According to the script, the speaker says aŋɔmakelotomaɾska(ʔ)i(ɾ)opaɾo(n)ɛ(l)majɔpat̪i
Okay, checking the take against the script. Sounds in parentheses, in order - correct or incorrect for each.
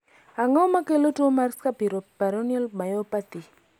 incorrect: p, correct, correct, correct

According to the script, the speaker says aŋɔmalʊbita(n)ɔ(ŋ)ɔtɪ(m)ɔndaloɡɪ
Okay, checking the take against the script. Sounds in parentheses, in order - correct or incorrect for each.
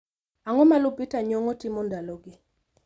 incorrect: ɲ, correct, correct

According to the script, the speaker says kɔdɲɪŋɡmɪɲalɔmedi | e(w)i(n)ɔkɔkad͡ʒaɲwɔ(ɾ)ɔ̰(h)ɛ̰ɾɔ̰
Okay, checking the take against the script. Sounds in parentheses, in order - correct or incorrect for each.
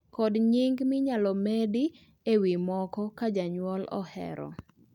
correct, incorrect: m, incorrect: l, correct

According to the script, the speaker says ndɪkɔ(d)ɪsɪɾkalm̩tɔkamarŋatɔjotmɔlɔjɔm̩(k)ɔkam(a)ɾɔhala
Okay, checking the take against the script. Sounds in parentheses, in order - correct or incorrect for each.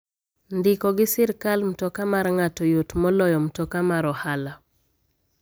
incorrect: ɡ, incorrect: t, correct

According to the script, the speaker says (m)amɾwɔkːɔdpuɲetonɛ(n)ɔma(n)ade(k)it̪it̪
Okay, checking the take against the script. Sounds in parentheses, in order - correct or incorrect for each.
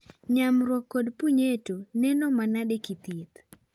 incorrect: ɲ, correct, correct, correct

